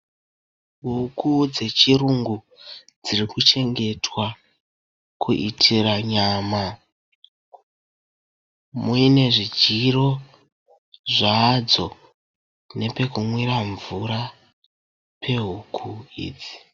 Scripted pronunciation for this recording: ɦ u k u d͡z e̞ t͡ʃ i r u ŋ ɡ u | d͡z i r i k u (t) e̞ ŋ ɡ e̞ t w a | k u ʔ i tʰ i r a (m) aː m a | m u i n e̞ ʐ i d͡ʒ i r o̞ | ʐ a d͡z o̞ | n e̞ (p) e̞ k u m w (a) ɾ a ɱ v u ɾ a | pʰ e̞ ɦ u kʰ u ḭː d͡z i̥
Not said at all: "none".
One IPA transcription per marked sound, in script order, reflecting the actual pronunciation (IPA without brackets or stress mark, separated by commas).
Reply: t͡ʃ, ɲ, p, i